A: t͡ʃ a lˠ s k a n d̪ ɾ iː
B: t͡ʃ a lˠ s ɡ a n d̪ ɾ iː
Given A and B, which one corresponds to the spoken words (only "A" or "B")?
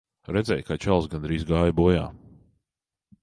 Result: B